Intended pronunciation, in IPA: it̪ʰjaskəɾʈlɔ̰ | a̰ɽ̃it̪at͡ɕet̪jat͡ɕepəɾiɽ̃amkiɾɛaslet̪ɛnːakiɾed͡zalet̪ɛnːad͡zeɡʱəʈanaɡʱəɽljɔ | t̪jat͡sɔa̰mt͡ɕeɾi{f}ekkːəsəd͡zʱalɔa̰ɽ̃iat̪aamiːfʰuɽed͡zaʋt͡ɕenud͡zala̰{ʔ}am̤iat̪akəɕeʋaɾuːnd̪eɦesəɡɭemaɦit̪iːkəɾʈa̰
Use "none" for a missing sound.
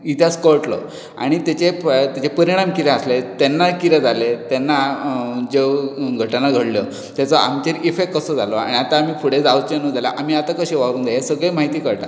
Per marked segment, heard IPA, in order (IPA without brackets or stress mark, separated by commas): f, ʔ